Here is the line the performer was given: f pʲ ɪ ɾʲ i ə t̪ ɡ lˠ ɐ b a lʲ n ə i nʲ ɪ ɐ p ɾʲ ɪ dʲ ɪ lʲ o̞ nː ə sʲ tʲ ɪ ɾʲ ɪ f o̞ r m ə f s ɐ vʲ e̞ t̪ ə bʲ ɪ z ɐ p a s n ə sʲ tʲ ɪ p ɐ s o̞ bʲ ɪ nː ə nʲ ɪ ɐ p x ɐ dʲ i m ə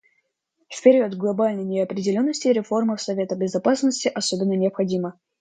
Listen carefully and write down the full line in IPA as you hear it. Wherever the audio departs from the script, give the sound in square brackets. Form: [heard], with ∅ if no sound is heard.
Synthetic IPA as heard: f pʲ ɪ ɾʲ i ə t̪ ɡ lˠ ɐ b a lʲ n ə [j] nʲ ɪ ɐ p ɾʲ ɪ dʲ ɪ lʲ o̞ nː ə sʲ tʲ ɪ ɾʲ ɪ f o̞ r m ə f s ɐ vʲ e̞ t̪ ə bʲ ɪ z ɐ p a s n ə sʲ tʲ ɪ [ʔ] ɐ s o̞ bʲ ɪ nː ə nʲ ɪ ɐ p x ɐ dʲ i m ə